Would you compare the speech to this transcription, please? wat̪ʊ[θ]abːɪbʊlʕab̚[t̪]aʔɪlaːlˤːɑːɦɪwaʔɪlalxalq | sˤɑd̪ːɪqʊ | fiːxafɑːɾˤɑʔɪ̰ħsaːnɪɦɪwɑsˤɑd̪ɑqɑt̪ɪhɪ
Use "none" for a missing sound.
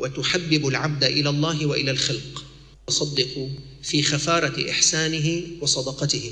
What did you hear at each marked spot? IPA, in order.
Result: ħ, d̪

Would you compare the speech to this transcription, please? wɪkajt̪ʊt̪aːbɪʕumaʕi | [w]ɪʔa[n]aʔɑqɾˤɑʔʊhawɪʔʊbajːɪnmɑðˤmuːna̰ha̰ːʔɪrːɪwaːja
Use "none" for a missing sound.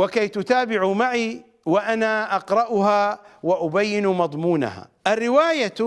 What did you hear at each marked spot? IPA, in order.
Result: w, n

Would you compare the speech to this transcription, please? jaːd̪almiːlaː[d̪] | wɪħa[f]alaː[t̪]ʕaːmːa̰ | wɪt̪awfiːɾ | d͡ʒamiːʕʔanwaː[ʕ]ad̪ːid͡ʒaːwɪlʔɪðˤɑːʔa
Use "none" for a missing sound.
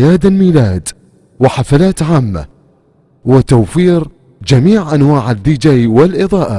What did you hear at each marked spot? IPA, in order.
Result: d̪, f, t̪, ʕ

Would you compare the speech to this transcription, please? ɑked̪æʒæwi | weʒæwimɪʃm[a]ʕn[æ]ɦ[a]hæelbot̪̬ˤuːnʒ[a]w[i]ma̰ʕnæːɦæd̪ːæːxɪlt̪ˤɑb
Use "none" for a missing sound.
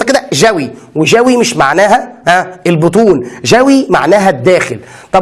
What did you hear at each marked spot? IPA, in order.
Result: a, æː, æ, æ, i

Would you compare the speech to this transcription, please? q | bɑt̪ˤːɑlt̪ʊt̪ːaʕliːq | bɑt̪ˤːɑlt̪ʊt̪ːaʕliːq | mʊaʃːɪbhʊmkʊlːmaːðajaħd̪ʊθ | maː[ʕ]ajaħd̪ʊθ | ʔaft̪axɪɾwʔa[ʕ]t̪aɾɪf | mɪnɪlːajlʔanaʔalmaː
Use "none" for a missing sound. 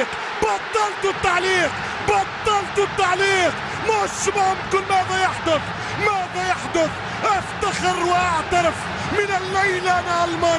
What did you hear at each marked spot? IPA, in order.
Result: ð, ʕ

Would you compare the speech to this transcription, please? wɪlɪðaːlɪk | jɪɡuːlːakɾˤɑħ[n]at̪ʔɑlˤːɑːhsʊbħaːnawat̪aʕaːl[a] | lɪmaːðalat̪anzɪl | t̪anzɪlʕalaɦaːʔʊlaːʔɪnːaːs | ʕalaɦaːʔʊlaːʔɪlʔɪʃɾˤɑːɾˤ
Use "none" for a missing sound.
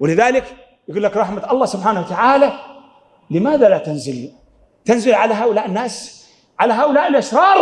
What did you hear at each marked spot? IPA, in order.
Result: m, a

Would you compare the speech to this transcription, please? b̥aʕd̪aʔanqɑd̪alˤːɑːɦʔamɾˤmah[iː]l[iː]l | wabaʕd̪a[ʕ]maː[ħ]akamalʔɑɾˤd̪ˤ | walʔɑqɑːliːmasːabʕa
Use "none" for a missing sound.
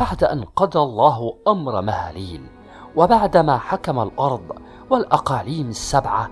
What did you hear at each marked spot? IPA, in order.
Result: aː, iː, none, ħ

